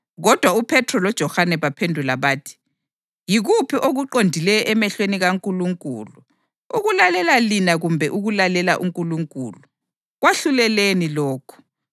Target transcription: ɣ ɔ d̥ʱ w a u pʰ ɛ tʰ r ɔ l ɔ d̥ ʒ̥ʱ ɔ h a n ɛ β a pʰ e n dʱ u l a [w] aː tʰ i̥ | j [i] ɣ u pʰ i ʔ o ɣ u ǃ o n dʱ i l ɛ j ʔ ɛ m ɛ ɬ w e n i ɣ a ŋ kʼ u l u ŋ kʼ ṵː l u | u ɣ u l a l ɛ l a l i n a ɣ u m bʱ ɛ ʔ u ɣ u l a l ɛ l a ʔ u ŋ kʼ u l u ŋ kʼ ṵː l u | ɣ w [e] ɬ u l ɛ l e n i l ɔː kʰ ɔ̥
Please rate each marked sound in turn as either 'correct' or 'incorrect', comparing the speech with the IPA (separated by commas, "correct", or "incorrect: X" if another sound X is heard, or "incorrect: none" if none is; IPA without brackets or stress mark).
incorrect: β, correct, incorrect: a